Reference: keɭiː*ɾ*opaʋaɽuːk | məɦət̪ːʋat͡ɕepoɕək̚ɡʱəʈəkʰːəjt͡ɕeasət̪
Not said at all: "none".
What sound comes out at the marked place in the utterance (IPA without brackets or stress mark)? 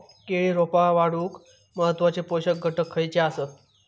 ɾ